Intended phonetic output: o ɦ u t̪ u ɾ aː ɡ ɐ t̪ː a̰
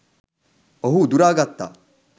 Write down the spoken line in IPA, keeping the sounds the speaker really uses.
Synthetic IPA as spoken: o ɦ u d̪ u ɾ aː ɡ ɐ t̪ː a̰